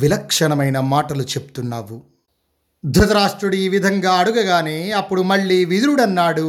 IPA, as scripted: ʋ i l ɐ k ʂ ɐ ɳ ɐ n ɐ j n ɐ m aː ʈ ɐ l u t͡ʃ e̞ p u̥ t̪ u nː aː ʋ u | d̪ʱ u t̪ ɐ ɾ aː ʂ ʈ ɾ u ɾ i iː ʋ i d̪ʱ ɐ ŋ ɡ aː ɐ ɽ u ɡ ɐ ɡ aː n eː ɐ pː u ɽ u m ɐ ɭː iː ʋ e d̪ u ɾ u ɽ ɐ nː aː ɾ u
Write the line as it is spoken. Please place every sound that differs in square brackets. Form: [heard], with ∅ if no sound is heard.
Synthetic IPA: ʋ i l ɐ k ʂ ɐ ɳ ɐ [m] ɐ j n ɐ m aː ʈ ɐ l u t͡ʃ e̞ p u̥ t̪ u nː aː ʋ u | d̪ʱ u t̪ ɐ ɾ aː ʂ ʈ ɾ u [ɽ] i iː ʋ i d̪ʱ ɐ ŋ ɡ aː ɐ ɽ u ɡ ɐ ɡ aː n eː ɐ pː u ɽ u m ɐ ɭː iː ʋ [i] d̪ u ɾ u ɽ ɐ nː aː [ɽ] u